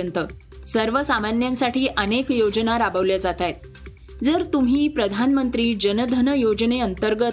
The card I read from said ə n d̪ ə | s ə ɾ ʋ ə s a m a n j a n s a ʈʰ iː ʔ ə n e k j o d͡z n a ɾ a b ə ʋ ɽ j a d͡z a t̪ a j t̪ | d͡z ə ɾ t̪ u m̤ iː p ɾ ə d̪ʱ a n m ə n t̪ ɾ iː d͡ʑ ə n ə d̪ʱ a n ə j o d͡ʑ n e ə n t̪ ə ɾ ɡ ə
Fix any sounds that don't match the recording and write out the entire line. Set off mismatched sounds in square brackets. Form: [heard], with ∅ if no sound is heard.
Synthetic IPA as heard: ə n [t̪] ə | s ə ɾ ʋ ə s a m a n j a n s a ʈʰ iː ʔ ə n e k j o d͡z n a ɾ a b ə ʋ [l] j a d͡z a t̪ a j t̪ | d͡z ə ɾ t̪ u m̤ iː p ɾ ə d̪ʱ a n m ə n t̪ ɾ iː d͡ʑ ə n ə d̪ʱ [ə] n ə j o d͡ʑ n e ə n t̪ ə ɾ ɡ ə